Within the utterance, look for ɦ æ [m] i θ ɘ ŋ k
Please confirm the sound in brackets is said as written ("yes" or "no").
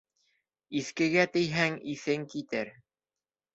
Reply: no